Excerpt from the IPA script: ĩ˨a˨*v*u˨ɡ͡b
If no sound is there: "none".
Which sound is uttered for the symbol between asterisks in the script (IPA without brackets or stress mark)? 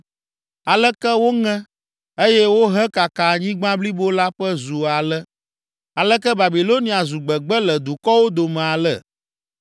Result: z